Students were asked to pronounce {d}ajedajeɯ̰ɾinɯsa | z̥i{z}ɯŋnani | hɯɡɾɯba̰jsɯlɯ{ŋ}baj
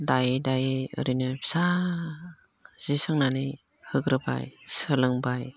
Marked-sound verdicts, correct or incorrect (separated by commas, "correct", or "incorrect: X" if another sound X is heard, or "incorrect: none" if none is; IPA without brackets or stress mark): correct, incorrect: s, correct